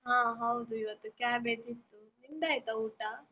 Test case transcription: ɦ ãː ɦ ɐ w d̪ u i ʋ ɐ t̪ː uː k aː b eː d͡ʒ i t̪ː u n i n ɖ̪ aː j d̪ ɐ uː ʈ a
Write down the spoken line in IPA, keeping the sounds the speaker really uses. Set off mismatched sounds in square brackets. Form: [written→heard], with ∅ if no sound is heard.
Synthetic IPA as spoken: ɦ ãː ɦ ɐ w d̪ u i ʋ ɐ t̪ː [uː→u] k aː b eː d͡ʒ i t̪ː u n i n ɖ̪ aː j [d̪→t̪] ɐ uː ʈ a